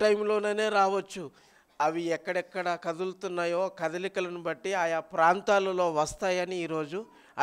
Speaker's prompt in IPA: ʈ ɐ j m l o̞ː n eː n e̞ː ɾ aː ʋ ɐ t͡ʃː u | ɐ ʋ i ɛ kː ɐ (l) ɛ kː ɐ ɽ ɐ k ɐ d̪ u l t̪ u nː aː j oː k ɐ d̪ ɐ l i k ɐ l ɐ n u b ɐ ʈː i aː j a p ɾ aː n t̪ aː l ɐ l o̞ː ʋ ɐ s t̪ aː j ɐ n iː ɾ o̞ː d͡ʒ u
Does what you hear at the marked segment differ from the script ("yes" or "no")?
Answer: yes